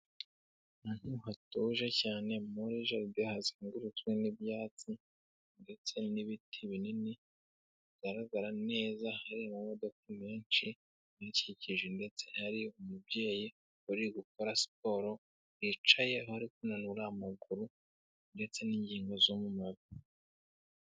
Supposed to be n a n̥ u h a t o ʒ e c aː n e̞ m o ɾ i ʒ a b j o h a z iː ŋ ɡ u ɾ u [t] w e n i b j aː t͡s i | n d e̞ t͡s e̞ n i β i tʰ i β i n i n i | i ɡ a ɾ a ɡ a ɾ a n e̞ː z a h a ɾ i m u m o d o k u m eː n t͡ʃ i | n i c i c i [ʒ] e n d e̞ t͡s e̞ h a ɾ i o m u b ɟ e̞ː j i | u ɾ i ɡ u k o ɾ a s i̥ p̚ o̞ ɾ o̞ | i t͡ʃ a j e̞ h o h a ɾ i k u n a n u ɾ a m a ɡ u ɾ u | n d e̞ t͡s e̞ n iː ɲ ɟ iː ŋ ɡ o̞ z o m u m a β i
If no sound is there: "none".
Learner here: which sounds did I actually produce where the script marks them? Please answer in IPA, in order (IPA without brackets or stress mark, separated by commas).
t͡s, ʒ